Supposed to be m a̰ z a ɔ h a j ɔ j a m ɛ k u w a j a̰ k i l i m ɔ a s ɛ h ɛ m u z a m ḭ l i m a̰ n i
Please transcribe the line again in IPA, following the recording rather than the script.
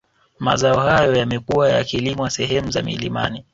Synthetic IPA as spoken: m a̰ z a ɔ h a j ɔ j a m ɛ k u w a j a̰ k i l i m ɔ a s ɛ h ɛ m u z a m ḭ l i m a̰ n i